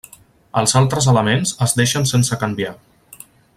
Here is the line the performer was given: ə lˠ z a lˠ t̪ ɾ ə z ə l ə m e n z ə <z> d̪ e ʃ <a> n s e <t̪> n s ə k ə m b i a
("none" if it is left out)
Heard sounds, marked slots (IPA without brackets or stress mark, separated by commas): z, ə, none